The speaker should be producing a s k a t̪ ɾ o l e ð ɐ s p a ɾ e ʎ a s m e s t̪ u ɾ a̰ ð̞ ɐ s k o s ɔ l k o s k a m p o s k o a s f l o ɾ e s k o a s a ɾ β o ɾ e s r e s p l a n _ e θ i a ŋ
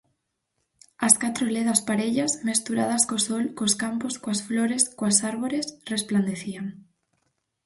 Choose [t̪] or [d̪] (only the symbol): d̪